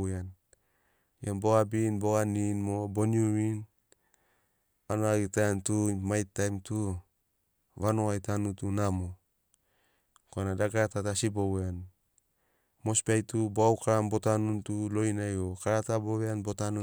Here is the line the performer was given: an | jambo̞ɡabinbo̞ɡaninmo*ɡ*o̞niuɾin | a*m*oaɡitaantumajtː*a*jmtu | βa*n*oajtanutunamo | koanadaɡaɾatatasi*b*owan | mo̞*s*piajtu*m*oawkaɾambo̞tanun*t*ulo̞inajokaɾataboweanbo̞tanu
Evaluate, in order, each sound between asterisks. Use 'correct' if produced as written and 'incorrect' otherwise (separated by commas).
incorrect, incorrect, correct, correct, correct, correct, incorrect, correct